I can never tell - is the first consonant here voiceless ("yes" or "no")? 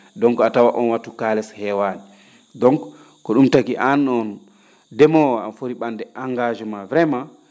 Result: no